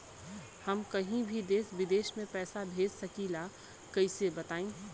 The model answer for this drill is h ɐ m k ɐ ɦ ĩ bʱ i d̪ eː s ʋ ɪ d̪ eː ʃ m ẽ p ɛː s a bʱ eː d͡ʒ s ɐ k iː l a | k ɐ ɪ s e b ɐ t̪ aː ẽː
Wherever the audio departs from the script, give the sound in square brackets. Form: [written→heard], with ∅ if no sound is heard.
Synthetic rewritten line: h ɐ m k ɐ ɦ ĩ bʱ i d̪ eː s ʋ ɪ d̪ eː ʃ m ẽ p ɛː s a bʱ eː d͡ʒ s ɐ k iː l a | k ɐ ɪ s e b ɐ t̪ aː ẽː